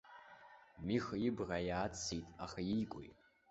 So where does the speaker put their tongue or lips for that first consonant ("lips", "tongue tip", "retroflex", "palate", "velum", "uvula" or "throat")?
lips